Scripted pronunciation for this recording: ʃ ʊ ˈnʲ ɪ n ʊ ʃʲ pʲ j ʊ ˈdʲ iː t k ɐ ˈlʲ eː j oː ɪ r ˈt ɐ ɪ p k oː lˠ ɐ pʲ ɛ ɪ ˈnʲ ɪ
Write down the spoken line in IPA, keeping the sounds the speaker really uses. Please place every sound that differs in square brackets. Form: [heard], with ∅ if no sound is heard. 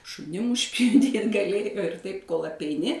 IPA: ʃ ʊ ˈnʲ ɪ [m] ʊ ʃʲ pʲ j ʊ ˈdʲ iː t [ɡ] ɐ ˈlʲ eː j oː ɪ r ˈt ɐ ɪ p k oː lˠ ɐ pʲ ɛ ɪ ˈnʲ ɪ